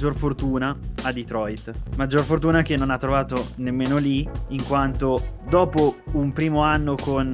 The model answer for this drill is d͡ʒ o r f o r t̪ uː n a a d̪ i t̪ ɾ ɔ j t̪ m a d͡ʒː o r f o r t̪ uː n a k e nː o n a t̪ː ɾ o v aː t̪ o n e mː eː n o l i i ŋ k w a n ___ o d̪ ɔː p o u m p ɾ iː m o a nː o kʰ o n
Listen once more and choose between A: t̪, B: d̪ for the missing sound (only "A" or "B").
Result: A